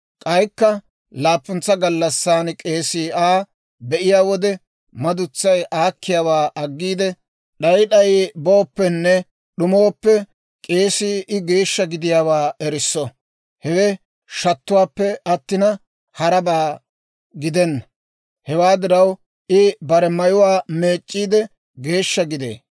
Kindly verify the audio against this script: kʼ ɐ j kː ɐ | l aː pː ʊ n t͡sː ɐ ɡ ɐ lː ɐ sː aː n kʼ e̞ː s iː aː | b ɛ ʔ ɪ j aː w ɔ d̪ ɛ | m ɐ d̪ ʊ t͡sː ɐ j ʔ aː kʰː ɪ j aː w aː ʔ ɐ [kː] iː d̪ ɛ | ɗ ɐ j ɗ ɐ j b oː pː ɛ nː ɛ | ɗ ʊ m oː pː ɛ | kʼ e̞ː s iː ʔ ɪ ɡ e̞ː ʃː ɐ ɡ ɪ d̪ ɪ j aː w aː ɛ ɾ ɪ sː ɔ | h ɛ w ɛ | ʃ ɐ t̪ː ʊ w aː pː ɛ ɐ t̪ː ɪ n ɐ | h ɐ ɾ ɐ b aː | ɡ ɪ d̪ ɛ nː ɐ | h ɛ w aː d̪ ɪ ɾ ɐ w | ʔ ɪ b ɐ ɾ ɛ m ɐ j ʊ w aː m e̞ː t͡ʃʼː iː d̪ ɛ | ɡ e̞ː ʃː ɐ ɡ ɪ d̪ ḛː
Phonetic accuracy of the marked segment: incorrect: ɡː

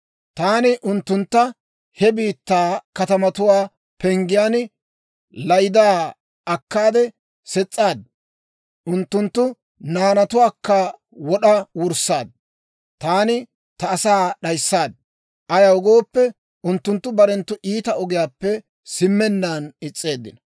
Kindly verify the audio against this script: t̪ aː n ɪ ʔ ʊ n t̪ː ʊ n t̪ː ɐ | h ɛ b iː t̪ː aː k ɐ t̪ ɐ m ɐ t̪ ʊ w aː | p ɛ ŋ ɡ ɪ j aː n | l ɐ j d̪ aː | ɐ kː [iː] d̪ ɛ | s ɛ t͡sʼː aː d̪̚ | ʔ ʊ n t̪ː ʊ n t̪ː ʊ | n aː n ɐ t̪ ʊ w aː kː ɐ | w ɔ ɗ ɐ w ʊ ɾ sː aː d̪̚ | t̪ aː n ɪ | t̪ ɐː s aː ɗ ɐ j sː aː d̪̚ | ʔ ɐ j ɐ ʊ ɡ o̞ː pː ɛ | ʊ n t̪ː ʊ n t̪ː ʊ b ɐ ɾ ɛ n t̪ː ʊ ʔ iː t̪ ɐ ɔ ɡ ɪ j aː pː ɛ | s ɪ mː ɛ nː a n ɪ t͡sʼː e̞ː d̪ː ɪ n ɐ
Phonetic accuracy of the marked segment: incorrect: aː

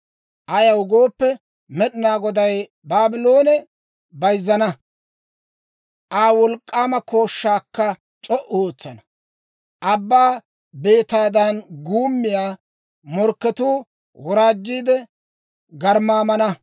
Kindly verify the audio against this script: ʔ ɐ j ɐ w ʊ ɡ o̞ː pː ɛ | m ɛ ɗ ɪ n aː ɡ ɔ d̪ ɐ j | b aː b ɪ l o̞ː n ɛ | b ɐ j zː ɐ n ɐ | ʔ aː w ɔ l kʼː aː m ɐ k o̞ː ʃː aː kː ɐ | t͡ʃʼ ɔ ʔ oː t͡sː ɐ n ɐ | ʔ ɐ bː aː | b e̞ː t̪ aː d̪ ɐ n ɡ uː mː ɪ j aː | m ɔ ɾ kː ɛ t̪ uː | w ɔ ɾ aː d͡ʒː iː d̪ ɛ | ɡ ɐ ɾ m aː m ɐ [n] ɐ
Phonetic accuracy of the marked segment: correct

